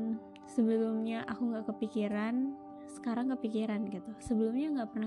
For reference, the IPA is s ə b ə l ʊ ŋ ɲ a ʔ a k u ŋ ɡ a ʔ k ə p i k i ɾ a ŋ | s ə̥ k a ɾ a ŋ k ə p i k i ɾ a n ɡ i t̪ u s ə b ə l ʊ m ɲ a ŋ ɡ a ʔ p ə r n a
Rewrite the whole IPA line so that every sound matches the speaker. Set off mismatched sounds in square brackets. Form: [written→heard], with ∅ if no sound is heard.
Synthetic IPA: s ə b ə l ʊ [ŋ→m] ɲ a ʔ a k u ŋ ɡ a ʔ k ə p i k i ɾ a [ŋ→n] | s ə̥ k a ɾ a ŋ k ə p i k i ɾ a n ɡ i t̪ u s ə b ə l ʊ m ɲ a ŋ ɡ a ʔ p ə r n a